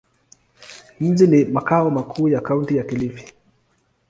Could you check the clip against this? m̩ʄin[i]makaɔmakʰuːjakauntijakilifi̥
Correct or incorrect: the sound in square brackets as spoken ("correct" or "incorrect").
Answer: correct